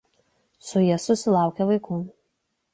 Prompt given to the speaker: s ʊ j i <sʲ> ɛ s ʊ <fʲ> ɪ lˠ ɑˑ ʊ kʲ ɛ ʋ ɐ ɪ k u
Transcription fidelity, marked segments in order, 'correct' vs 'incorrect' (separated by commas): incorrect, incorrect